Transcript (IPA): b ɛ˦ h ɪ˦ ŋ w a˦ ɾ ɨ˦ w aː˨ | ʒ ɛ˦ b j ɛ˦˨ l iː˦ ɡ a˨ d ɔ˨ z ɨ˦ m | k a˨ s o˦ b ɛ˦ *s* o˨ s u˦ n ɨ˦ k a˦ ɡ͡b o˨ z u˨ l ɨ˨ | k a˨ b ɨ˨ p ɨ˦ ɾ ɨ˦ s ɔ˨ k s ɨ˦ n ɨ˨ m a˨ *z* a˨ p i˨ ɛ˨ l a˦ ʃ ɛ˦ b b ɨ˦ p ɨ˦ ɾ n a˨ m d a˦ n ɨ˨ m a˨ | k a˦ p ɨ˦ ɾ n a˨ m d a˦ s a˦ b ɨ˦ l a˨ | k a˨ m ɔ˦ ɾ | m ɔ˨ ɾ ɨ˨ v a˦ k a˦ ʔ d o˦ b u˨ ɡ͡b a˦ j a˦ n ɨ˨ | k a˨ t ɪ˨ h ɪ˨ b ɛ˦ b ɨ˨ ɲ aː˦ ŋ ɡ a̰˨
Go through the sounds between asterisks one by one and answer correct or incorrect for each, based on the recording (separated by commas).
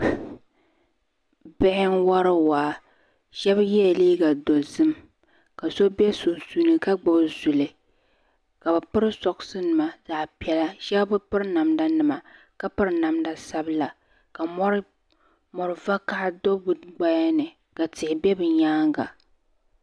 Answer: correct, correct